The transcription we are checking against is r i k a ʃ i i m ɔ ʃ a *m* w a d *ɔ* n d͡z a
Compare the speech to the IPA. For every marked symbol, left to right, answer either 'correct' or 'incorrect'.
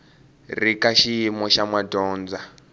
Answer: correct, incorrect

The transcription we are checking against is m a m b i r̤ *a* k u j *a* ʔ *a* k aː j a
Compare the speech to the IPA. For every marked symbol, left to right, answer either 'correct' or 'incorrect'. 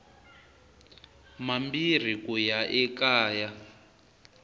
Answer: incorrect, correct, incorrect

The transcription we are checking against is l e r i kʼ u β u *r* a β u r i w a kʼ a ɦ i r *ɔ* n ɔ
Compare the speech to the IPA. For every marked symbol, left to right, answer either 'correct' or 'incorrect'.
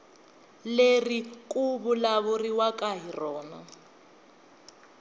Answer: incorrect, incorrect

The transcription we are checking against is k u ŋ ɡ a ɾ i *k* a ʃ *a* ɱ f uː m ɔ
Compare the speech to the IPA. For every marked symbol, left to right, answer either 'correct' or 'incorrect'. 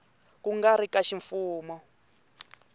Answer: correct, incorrect

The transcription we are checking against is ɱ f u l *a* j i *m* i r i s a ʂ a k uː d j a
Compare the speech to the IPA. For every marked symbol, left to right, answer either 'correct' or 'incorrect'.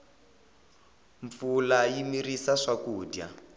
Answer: correct, correct

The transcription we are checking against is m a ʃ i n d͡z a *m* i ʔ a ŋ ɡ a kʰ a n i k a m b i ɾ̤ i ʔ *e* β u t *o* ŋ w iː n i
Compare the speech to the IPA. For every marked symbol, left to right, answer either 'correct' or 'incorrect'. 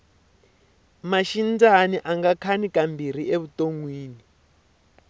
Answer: incorrect, correct, correct

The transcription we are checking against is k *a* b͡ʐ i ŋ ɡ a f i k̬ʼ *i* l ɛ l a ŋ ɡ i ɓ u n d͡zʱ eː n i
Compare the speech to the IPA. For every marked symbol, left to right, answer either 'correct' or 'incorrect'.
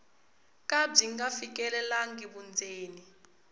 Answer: correct, incorrect

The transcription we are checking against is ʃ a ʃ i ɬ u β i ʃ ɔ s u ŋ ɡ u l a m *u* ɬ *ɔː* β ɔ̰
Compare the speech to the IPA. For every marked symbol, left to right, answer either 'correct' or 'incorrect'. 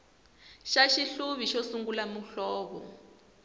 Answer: correct, correct

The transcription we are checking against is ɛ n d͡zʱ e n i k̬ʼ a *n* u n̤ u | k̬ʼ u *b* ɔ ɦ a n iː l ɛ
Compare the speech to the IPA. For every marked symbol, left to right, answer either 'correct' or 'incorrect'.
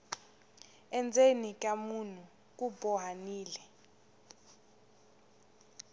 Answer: incorrect, correct

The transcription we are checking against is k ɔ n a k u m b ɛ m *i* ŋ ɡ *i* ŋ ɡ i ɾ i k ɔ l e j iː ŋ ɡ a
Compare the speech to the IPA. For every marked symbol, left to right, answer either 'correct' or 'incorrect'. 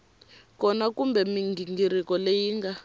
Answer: correct, correct

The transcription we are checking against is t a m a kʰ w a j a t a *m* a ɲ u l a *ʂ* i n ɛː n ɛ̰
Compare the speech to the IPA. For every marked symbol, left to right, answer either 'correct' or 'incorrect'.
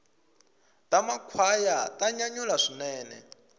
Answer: incorrect, correct

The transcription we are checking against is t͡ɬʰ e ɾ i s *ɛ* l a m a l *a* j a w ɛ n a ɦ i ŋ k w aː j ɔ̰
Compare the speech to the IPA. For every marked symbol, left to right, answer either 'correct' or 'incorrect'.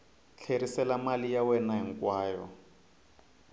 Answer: correct, incorrect

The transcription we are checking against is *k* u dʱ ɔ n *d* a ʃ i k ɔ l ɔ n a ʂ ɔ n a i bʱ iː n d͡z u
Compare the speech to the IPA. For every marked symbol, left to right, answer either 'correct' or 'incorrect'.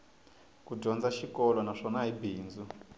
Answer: correct, incorrect

